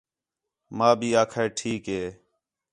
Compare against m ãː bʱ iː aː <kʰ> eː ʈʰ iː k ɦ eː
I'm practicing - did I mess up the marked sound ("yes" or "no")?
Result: no